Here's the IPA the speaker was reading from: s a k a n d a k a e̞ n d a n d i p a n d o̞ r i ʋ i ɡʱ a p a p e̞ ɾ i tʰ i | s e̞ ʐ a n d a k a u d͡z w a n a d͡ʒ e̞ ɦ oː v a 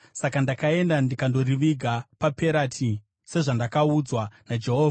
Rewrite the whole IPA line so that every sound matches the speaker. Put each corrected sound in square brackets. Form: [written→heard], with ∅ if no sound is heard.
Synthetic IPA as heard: s a k a n d a k a e̞ n d a n d i [p→k] a n d o̞ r i ʋ i ɡʱ a p a p e̞ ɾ [i→a] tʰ i | s e̞ ʐ a n d a k a u d͡z w a n a d͡ʒ e̞ ɦ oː v a